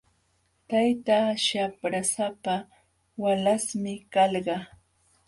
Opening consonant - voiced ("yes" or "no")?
no